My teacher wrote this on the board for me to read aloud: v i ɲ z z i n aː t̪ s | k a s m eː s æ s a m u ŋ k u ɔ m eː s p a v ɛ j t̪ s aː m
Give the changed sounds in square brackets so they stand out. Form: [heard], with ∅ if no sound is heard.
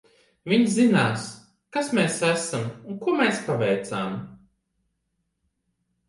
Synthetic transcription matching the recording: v i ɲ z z i n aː [∅] s | k a s m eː s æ s a m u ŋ k u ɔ m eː s p a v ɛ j t̪ s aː m